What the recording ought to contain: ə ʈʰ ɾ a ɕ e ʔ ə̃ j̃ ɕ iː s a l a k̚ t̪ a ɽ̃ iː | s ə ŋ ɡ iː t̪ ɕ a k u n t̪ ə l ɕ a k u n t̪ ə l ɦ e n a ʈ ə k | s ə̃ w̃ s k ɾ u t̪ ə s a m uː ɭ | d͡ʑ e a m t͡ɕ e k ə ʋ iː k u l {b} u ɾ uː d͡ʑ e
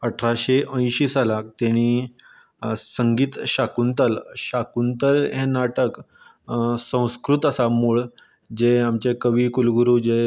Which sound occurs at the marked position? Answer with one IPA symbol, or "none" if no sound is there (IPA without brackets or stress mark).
ɡ